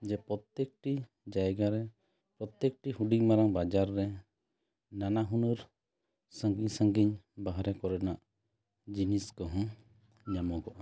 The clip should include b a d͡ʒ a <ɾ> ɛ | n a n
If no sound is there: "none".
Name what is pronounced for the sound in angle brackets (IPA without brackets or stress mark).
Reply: ɾː